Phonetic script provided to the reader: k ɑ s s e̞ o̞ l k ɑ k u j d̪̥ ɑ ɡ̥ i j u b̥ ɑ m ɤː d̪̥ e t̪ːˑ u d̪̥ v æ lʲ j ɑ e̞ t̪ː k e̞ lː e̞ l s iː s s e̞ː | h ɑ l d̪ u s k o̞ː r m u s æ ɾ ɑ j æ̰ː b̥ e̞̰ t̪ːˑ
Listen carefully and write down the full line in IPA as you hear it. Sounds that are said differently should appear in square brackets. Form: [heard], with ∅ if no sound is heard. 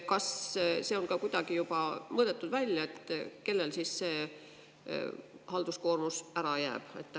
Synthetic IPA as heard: k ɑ s s e̞ o̞ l k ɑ k u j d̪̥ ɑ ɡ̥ i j u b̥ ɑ m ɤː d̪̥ e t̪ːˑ u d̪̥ v æ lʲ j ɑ e̞ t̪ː k e̞ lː e̞ l s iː s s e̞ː | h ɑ l d̪ u s k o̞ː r m u s æ ɾ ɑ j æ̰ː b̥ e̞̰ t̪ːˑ